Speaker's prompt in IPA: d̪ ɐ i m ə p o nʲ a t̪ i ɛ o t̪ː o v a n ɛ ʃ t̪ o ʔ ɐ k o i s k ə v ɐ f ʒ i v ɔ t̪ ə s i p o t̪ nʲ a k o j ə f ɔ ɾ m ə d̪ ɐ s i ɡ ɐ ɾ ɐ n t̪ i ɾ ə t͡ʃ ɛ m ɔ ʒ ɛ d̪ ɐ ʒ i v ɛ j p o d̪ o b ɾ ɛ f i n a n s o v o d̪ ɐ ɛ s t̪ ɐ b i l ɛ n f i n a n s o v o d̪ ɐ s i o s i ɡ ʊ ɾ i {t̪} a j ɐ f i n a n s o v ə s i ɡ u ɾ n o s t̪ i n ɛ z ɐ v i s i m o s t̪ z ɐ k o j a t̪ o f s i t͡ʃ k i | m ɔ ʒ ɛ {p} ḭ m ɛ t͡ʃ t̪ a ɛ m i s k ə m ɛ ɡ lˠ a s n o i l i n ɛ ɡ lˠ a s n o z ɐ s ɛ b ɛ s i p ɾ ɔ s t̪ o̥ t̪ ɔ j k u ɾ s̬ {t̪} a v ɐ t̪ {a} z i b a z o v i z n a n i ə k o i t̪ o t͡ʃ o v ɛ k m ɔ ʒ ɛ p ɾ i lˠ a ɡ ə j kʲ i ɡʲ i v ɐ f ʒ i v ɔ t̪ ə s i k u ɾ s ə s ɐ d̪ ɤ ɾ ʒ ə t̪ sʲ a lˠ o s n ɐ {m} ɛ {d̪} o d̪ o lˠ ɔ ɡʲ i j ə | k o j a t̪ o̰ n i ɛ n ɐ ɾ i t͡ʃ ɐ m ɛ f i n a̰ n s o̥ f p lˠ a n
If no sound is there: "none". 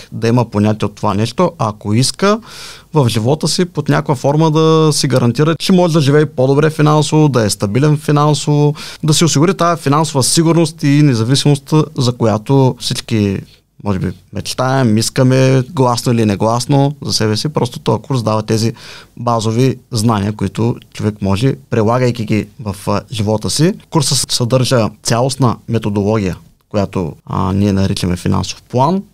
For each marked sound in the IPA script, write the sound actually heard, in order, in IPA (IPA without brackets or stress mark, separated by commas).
t̪, b, d̪, ɛ, m, t̪